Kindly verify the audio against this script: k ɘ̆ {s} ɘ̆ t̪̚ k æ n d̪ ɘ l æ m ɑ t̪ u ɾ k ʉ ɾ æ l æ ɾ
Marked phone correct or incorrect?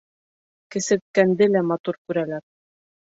correct